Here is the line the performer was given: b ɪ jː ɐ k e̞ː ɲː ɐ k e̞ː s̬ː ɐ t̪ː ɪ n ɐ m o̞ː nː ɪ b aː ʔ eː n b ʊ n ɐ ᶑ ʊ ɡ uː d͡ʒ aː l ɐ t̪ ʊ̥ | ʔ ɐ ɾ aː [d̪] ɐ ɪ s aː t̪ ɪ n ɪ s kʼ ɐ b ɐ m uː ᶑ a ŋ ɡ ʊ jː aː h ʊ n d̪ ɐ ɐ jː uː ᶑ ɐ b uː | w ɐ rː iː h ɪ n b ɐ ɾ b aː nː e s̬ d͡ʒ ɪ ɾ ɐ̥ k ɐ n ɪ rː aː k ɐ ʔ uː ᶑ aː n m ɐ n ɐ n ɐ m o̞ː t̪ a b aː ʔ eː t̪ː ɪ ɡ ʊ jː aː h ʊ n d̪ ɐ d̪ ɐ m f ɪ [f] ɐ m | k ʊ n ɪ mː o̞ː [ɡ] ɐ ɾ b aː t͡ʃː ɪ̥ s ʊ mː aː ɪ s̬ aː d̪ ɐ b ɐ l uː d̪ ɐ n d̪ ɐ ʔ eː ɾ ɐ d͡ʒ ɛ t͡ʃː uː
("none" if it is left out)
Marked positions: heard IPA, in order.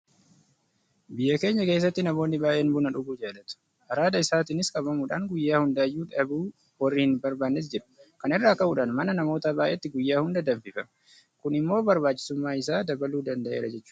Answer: d̪, f, b

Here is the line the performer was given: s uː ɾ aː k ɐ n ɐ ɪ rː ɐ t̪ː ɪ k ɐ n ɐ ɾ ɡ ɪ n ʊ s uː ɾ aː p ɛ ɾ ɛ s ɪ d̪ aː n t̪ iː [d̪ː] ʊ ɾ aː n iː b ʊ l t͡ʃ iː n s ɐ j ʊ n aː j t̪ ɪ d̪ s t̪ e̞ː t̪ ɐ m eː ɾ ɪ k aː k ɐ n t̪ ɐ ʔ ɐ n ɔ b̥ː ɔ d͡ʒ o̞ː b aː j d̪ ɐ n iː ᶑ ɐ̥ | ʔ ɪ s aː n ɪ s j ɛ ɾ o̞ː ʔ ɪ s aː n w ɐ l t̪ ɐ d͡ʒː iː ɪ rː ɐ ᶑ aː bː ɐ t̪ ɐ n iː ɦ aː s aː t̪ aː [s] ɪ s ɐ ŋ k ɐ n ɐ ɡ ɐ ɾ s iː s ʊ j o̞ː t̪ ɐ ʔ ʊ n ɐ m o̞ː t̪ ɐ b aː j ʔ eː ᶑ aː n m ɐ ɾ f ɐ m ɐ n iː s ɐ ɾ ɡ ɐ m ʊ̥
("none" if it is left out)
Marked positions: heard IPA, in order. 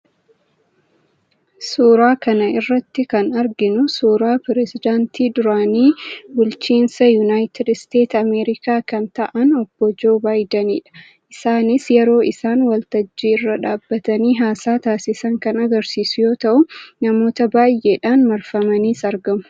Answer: d̪, s

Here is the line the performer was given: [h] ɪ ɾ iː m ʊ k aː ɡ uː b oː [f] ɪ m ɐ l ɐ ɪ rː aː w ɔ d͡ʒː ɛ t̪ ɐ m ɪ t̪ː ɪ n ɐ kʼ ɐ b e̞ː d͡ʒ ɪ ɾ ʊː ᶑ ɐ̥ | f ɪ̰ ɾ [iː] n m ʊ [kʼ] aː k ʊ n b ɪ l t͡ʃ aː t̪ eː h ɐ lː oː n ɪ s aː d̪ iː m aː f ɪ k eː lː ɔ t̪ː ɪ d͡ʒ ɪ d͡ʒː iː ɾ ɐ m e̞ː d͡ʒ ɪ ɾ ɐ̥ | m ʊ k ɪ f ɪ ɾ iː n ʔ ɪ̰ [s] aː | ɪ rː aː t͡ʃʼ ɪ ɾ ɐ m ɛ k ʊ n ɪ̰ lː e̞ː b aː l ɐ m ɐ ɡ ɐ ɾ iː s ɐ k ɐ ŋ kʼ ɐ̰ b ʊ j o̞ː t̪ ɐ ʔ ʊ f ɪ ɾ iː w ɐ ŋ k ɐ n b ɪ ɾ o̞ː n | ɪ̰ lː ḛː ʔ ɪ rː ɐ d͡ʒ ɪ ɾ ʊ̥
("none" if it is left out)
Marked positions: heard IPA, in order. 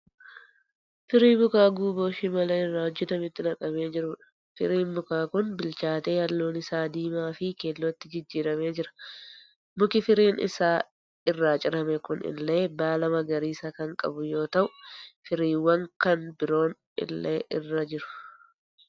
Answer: f, ʃ, iː, k, s

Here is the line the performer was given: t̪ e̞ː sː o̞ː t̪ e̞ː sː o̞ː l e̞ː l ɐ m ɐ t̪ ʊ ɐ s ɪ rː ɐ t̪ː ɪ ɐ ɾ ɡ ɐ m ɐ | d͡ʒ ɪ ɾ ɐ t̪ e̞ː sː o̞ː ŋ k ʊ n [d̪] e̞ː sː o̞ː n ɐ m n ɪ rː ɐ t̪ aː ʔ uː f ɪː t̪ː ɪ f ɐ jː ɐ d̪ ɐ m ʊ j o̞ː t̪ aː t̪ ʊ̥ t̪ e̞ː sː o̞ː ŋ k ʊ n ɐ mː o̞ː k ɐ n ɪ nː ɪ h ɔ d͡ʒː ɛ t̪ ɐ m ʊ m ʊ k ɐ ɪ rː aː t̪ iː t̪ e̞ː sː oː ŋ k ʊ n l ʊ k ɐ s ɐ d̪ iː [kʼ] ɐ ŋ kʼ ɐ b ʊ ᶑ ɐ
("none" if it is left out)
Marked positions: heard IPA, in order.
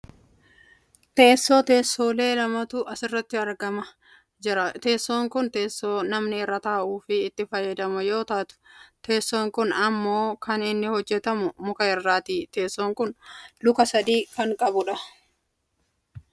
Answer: t̪, k

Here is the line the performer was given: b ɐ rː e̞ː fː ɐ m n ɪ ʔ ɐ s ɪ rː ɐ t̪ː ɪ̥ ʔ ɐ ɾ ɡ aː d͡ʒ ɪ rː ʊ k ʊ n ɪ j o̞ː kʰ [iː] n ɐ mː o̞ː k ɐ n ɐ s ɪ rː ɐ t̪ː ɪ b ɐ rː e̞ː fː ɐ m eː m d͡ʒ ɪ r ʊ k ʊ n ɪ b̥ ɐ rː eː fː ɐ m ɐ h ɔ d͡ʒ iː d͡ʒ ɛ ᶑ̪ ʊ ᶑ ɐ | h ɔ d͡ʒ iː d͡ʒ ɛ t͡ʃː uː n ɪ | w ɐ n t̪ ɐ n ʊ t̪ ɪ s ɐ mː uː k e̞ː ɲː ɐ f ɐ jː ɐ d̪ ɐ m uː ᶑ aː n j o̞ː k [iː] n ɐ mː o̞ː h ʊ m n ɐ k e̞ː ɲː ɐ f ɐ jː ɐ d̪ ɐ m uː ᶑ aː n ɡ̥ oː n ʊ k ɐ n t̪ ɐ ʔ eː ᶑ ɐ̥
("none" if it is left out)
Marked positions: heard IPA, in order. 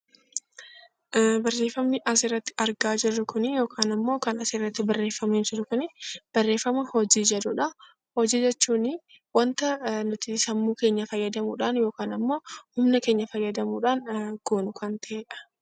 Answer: aː, aː

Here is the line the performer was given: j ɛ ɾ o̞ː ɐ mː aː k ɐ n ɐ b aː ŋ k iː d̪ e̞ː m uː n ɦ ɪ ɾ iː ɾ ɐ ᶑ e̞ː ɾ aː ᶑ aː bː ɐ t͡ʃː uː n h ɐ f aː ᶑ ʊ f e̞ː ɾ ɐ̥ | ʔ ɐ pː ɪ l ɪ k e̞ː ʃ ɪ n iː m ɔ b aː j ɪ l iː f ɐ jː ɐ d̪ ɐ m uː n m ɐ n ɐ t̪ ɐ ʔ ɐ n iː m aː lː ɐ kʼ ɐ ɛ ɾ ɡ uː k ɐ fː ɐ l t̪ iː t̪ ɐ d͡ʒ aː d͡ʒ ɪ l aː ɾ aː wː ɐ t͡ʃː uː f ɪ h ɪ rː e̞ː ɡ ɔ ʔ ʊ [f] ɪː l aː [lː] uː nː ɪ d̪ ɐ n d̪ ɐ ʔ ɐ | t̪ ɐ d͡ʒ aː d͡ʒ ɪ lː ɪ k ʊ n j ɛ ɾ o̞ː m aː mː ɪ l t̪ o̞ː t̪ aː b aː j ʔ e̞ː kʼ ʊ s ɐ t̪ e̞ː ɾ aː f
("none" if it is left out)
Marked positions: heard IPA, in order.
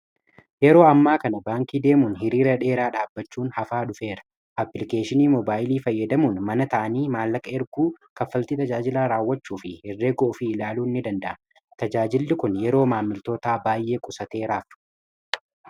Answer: f, l

